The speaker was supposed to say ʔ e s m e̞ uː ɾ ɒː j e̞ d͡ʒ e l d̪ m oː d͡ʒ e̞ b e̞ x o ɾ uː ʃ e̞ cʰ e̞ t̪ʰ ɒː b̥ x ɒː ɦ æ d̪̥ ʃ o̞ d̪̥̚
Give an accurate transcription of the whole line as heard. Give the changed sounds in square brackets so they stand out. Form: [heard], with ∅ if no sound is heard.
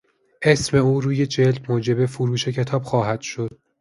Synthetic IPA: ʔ e s m e̞ uː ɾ [uː] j e̞ d͡ʒ e l d̪ m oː d͡ʒ e̞ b e̞ [f] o ɾ uː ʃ e̞ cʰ e̞ t̪ʰ ɒː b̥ x ɒː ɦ æ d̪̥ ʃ o̞ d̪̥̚